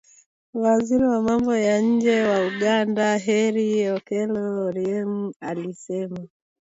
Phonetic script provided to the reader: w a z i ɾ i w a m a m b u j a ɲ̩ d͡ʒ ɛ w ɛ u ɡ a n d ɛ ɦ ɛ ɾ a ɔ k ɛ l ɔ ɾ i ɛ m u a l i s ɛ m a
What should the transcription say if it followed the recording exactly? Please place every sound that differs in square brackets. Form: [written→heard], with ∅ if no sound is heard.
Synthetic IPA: w a z i ɾ i w a m a m b [u→ɔ] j a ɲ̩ d͡ʒ ɛ w [ɛ→a] u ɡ a n d [ɛ→a] ɦ ɛ ɾ [a→i] ɔ k ɛ l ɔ ɾ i ɛ m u a l i s ɛ m a